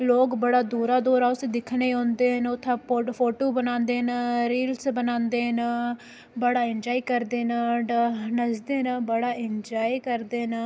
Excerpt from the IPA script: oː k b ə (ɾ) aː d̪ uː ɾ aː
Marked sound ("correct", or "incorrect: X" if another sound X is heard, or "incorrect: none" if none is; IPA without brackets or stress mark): incorrect: ɽ